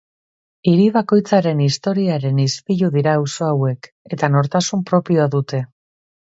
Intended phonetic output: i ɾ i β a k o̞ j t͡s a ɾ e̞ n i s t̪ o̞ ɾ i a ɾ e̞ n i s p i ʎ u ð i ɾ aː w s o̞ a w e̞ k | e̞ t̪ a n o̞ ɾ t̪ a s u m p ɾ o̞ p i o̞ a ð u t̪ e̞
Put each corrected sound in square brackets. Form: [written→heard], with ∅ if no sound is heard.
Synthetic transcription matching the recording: i ɾ i β a k o̞ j t͡s a ɾ e̞ n i s t̪ o̞ ɾ i a ɾ e̞ n i s p i ʎ u ð i ɾ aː w s o̞ a w e̞ k | e̞ t̪ a n o̞ ɾ t̪ a s u m p ɾ o̞ p i o̞ a ð u t̪ e̞

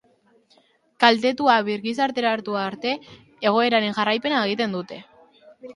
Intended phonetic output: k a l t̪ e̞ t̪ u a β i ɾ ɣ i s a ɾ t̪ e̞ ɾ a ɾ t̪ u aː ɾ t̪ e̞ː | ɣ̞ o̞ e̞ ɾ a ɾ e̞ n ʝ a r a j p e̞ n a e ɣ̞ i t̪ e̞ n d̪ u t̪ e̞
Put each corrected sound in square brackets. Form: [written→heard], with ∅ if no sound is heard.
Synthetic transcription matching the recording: k a l t̪ e̞ t̪ u a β i ɾ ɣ i s a ɾ t̪ e̞ ɾ a ɾ t̪ u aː ɾ t̪ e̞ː | ɣ̞ o̞ e̞ ɾ a ɾ e̞ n ʝ a r a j p e̞ n a e ɣ̞ i t̪ e̞ n d̪ u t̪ e̞

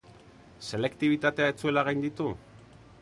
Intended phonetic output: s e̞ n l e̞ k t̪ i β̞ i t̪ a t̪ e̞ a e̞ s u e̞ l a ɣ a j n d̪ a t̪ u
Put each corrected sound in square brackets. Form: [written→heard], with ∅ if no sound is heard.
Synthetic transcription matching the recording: s e̞ [n→∅] l e̞ k t̪ i β̞ i t̪ a t̪ e̞ a e̞ [s→t͡s] u e̞ l a ɣ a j n d̪ [a→i] t̪ u

